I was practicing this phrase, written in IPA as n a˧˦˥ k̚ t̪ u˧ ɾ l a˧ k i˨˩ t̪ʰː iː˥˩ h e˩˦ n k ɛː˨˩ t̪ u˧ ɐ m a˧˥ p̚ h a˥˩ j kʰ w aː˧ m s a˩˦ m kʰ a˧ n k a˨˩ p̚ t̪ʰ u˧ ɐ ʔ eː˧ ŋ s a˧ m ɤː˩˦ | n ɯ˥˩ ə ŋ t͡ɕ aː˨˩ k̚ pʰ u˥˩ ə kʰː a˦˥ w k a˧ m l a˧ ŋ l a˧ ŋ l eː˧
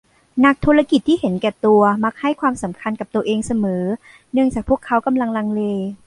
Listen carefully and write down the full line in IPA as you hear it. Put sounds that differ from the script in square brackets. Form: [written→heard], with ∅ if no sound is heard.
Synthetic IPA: n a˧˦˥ k̚ [t̪→t̪ʰ] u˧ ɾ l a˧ k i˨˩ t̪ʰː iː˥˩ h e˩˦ n k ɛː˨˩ t̪ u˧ ɐ m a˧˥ [p̚→k̚] h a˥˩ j kʰ w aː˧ m s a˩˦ m kʰ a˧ n k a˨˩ p̚ [t̪ʰ→t̪] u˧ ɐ ʔ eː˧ ŋ s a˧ m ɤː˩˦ | n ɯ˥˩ ə ŋ t͡ɕ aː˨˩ k̚ pʰ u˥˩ ə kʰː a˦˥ w k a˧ m l a˧ ŋ l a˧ ŋ l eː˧